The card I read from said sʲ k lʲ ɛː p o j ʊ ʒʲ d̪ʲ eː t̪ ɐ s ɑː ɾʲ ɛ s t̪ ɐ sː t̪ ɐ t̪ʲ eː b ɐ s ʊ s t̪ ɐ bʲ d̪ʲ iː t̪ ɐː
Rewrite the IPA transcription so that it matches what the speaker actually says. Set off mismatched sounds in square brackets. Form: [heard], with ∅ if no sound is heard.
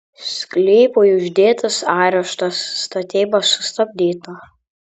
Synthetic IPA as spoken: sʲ k lʲ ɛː p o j ʊ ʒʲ d̪ʲ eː t̪ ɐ s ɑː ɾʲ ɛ [ʃ] t̪ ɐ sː t̪ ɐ t̪ʲ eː b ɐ s ʊ s t̪ ɐ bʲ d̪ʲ iː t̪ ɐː